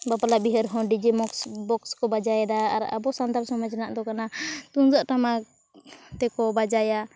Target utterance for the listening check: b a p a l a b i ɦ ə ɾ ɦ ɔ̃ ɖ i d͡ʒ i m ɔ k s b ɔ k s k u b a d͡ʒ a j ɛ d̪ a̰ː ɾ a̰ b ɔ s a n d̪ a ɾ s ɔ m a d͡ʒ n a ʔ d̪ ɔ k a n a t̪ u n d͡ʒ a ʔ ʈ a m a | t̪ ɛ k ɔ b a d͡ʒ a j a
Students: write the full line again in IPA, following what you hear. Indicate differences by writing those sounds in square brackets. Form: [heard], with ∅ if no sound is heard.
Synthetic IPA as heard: b a p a l a b i ɦ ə ɾ ɦ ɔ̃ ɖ i d͡ʒ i m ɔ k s b ɔ k s k [ɔ] b a d͡ʒ a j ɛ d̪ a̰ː ɾ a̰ b ɔ s a n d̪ a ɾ s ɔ m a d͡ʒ n a ʔ d̪ ɔ k a n a t̪ u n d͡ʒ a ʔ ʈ a m a | t̪ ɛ k ɔ b a d͡ʒ a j a